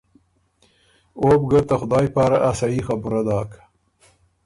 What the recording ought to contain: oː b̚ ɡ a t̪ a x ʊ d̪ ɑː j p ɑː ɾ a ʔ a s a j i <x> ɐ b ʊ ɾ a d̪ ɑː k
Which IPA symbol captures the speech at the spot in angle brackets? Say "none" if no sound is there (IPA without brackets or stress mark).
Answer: x